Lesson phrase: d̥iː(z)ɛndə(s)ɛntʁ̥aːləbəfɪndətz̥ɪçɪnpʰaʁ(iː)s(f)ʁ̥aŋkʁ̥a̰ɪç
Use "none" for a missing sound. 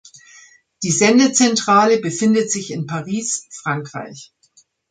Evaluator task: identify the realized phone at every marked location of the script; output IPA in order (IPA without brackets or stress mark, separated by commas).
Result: z, t͡s, iː, f